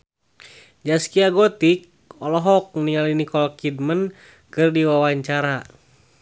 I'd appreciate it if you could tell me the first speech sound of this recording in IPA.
d͡ʒ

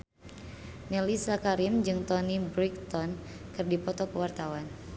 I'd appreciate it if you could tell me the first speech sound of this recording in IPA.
n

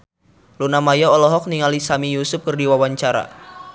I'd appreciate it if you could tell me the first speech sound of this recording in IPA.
l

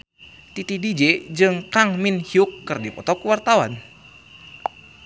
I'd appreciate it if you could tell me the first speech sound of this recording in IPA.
t̪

